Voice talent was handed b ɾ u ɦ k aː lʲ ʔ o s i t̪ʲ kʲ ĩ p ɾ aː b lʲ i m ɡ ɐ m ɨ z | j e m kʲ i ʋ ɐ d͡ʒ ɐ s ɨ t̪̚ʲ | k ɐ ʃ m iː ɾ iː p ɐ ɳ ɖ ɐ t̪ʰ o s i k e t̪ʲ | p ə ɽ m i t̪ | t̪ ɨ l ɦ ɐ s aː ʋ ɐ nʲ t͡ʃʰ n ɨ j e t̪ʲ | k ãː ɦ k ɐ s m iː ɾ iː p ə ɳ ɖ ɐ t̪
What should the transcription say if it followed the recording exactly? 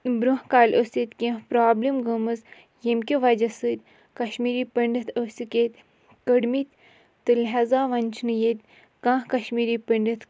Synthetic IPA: b ɾ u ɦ k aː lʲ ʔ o s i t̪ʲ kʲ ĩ p ɾ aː b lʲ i m ɡ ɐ m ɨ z | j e m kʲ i ʋ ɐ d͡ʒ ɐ s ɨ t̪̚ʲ | k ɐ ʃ m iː ɾ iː p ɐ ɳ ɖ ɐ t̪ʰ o s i k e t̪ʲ | k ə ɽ m i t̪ | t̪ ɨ l ɦ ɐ z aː ʋ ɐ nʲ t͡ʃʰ n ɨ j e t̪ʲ | k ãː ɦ k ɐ ʃ m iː ɾ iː p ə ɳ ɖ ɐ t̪

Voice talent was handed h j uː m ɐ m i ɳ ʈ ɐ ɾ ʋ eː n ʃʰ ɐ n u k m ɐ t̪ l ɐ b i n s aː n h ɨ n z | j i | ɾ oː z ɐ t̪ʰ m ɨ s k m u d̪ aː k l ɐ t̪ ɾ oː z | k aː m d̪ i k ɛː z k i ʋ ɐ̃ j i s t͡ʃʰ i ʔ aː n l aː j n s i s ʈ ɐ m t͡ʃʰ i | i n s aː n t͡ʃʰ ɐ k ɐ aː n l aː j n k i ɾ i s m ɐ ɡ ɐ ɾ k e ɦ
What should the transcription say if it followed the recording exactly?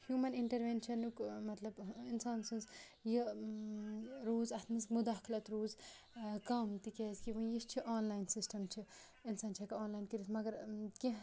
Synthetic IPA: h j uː m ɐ n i ɳ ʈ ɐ ɾ ʋ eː n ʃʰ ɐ n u k m ɐ t̪ l ɐ b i n s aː n s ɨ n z | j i | ɾ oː z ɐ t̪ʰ m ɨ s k m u d̪ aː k l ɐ t̪ ɾ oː z | k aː m t̪ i k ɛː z k i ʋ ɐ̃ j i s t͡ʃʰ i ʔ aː n l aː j n s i s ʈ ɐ m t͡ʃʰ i | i n s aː n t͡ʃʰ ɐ k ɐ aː n l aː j n k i ɾ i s m ɐ ɡ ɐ ɾ k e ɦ

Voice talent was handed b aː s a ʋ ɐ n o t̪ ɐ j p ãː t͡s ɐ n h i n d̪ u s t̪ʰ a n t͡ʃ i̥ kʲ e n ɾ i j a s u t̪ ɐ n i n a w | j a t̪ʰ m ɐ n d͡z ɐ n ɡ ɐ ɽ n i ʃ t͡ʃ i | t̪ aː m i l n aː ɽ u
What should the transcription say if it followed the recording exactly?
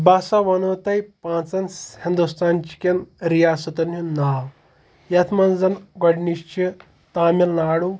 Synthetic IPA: b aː s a ʋ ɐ n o t̪ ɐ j p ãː t͡s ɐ n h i n d̪ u s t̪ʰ a n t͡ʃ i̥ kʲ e n ɾ i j a s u t̪ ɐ n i n a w | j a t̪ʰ m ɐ n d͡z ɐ n ɡ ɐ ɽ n i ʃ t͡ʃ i | t̪ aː m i l n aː ɽ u

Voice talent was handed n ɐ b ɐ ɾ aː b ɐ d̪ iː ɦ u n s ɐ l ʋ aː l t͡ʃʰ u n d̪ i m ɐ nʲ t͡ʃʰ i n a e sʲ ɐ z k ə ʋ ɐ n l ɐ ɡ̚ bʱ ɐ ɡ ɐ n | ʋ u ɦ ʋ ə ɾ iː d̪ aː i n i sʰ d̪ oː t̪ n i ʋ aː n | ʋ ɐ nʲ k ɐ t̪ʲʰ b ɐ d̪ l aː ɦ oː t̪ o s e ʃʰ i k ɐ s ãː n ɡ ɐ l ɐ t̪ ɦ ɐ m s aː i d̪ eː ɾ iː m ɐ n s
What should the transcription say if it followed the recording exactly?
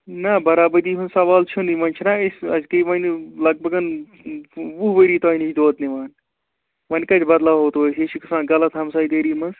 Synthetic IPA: n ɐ b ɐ ɾ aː b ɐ d̪ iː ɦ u n s ɐ ʋ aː l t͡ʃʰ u n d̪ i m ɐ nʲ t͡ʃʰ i n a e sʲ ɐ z k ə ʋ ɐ n l ɐ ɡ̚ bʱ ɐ ɡ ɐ n | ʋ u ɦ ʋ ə ɾ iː t̪ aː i n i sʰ d̪ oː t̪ n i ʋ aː n | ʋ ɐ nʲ k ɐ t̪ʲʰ b ɐ d̪ l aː ɦ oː t̪ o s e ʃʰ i k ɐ s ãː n ɡ ɐ l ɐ t̪ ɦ ɐ m s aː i d̪ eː ɾ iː m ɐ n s

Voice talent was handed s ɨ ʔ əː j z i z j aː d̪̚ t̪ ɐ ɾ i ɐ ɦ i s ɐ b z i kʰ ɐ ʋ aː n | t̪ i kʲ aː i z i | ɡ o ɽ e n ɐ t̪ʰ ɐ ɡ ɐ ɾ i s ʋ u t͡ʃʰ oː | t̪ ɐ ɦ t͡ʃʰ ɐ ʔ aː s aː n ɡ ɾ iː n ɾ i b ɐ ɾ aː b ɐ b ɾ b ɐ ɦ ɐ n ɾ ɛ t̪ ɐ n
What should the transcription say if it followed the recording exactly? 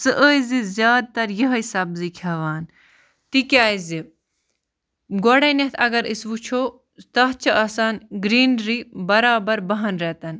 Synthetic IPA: s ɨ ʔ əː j z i z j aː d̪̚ t̪ ɐ ɾ j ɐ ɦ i s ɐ b z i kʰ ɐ ʋ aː n | t̪ i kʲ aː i z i | ɡ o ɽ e n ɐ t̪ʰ ɐ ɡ ɐ ɾ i s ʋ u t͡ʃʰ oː | t̪ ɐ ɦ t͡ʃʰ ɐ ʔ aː s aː n ɡ ɾ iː n ɾ i b ɐ ɾ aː b ɐ ɾ b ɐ ɦ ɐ n ɾ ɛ t̪ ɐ n

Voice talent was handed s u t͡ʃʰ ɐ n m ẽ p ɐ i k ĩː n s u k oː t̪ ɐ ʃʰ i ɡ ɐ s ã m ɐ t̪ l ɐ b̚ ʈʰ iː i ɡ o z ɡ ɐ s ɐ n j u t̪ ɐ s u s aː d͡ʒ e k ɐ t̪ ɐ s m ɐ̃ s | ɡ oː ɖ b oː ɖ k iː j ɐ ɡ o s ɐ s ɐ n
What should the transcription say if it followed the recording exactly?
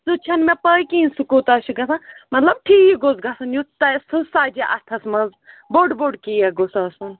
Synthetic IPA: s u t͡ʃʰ ɐ n m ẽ p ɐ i k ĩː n s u k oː t̪ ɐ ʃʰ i ɡ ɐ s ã m ɐ t̪ l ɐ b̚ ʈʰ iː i ɡ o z ɡ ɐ s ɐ n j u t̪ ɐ s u s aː d͡ʒ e ʔ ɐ t̪ʰ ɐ s m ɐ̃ z | b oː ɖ b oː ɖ k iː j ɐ ɡ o s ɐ s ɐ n

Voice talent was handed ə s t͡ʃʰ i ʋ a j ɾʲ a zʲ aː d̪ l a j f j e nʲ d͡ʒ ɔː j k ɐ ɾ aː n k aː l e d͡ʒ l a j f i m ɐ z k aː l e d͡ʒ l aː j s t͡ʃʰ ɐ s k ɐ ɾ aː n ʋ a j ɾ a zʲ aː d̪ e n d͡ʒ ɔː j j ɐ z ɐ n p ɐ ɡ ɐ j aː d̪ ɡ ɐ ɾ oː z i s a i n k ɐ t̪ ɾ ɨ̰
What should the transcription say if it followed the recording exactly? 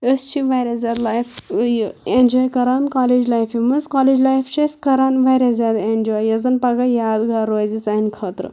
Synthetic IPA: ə s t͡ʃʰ i ʋ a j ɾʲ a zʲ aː d̪ l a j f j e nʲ d͡ʒ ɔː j k ɐ ɾ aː n k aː l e d͡ʒ l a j f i m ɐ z k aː l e d͡ʒ l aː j f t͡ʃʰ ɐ s k ɐ ɾ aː n ʋ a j ɾ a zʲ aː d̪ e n d͡ʒ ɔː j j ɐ z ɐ n p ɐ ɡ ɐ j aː d̪ ɡ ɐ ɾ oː z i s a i n kʰ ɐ t̪ ɾ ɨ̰

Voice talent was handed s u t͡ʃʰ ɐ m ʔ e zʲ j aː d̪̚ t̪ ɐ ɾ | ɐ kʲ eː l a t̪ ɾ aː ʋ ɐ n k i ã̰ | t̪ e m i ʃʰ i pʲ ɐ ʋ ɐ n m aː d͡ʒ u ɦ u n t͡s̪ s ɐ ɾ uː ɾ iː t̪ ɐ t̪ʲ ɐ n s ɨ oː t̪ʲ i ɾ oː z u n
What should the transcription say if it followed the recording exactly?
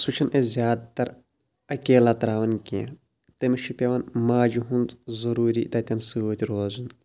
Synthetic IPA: s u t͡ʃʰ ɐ n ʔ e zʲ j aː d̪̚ t̪ ɐ ɾ | ɐ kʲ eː l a t̪ ɾ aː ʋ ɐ n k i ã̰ | t̪ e m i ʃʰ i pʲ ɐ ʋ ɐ n m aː d͡ʒ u ɦ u n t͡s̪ z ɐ ɾ uː ɾ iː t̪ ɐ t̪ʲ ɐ n s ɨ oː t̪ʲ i ɾ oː z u n

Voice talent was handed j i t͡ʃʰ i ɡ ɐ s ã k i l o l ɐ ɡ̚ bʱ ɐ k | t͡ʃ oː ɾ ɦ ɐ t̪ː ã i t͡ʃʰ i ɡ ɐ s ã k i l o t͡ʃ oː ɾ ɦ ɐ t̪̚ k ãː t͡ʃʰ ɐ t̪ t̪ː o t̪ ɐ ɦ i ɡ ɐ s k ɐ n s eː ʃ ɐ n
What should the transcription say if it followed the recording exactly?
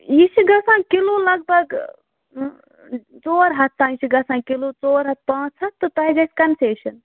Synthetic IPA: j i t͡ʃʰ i ɡ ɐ s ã k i l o l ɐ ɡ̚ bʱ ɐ ɡ | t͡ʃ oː ɾ ɦ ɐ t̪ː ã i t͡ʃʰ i ɡ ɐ s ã k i l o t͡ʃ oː ɾ ɦ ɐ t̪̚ p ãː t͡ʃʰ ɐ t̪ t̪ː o t̪ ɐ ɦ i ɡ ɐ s k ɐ n s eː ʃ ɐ n

